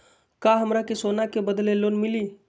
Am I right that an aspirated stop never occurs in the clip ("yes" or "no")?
yes